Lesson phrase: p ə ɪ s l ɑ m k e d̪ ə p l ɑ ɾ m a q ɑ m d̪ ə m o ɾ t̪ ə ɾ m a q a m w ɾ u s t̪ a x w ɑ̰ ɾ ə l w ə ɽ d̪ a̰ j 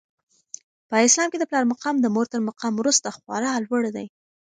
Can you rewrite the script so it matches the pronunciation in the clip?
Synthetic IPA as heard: p ə ɪ s l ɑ m k e d̪ ə p l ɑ ɾ m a q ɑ m d̪ ə m o ɾ t̪ ə ɾ m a q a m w ɾ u s t̪ a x w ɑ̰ ɾ ɑ l w ə ɽ d̪ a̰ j